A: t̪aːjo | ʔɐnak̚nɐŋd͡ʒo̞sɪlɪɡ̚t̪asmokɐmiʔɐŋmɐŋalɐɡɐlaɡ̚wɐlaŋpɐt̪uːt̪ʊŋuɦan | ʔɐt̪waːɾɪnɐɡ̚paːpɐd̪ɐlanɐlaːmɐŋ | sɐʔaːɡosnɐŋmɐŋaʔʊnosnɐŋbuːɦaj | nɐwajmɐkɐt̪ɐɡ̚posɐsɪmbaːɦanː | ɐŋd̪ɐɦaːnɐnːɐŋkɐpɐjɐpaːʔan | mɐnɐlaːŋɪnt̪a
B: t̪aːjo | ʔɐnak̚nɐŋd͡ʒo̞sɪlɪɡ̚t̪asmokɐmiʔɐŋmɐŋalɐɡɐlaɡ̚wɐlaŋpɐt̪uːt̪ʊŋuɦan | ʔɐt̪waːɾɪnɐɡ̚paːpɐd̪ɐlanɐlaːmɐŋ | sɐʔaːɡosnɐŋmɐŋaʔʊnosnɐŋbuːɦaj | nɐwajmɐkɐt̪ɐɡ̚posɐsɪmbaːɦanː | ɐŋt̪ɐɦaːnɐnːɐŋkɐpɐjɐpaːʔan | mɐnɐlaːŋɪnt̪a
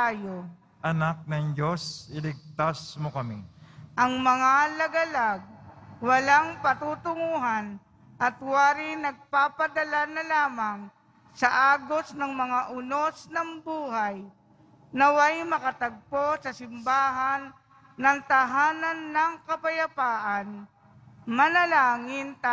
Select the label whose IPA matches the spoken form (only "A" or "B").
B